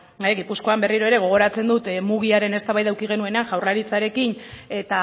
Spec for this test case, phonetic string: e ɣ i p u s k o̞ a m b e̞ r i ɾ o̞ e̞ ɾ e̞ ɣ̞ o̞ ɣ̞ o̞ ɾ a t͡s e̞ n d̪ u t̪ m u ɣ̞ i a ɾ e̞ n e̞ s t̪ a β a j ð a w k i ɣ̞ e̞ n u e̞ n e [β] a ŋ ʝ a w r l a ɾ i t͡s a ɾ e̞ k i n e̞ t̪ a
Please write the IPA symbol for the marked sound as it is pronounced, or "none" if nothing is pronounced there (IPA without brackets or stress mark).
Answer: none